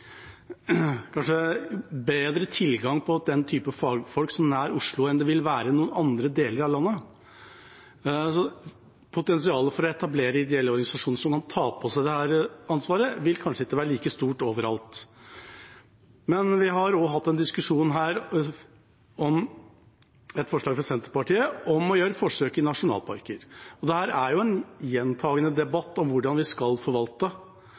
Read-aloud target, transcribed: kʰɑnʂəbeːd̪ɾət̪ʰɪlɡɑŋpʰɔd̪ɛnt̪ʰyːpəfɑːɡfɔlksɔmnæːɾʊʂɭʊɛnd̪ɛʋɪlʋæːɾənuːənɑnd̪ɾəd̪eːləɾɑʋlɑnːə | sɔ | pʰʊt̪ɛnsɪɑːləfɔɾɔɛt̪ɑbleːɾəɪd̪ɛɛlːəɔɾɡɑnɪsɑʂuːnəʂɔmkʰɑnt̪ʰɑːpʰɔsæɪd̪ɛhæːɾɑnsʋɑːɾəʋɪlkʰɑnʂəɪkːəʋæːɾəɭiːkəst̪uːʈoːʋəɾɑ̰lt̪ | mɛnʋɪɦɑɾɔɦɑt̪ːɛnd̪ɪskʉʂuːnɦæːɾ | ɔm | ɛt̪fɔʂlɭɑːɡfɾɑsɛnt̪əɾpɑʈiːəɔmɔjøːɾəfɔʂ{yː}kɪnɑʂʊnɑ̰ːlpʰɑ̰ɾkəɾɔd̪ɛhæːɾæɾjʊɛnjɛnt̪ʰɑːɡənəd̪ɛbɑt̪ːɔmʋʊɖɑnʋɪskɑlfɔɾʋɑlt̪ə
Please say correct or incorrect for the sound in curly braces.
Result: incorrect: øː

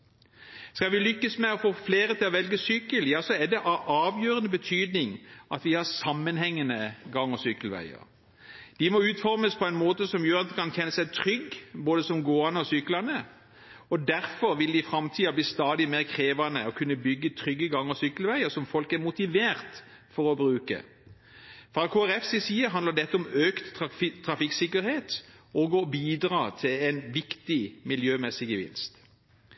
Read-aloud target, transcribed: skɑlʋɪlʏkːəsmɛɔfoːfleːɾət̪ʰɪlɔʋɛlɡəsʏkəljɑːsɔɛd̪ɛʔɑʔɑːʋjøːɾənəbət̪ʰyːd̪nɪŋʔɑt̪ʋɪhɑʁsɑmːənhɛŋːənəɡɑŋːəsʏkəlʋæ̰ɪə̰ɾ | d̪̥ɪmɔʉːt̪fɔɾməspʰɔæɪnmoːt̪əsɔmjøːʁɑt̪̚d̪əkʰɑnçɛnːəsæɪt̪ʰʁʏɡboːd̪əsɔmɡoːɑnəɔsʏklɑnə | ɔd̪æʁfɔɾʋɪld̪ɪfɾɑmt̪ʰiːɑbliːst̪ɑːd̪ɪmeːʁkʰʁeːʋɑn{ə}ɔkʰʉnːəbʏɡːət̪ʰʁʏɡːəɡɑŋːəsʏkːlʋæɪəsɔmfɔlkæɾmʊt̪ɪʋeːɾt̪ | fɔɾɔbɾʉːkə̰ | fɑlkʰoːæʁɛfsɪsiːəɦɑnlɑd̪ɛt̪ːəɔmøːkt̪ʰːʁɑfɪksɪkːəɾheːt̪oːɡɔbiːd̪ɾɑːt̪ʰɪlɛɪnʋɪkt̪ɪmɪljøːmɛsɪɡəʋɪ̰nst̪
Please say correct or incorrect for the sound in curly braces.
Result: correct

